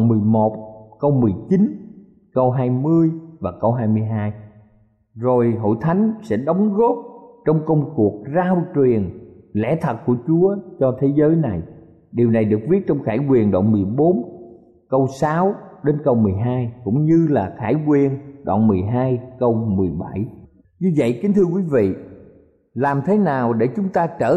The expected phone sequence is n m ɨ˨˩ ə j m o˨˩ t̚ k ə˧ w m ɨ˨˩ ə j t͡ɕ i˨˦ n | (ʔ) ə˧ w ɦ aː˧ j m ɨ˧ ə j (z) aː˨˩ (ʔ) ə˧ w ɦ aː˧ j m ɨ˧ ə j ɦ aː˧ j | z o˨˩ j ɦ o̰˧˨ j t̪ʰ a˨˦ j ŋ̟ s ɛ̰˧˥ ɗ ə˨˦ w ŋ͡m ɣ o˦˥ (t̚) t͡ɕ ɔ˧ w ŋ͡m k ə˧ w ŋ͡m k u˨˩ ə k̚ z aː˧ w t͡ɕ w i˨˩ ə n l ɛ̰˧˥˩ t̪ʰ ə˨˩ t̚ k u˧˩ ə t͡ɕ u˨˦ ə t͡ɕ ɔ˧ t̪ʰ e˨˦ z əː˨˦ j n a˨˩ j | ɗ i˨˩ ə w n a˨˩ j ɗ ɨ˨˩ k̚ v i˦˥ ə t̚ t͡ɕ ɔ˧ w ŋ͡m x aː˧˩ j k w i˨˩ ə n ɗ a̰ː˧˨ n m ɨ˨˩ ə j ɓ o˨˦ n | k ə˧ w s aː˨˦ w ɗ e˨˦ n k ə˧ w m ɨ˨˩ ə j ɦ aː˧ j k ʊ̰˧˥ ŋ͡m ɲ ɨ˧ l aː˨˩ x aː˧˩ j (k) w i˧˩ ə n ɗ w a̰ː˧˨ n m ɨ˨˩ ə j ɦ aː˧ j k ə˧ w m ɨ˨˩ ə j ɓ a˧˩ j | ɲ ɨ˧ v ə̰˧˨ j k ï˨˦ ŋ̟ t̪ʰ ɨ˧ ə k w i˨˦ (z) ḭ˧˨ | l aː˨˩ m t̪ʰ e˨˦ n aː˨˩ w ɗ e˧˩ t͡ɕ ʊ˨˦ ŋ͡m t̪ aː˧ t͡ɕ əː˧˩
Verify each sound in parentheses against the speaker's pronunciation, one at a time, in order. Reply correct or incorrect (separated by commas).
incorrect, incorrect, incorrect, incorrect, correct, incorrect